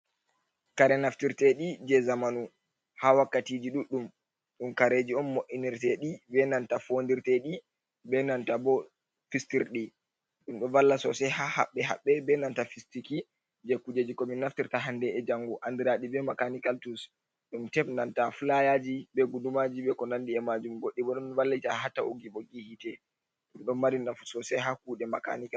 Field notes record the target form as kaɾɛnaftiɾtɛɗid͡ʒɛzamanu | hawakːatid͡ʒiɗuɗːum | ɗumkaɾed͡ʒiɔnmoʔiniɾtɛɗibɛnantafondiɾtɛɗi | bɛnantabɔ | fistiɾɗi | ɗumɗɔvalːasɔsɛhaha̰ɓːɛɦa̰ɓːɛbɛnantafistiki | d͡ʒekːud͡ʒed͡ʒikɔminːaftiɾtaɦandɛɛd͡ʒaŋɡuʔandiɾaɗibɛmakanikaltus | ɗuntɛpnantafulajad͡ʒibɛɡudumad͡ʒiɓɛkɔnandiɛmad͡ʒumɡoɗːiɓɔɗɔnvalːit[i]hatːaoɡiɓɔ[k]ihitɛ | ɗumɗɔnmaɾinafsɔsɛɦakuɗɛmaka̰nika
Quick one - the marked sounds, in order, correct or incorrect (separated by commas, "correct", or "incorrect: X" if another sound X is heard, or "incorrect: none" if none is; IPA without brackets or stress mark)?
incorrect: a, incorrect: ɡ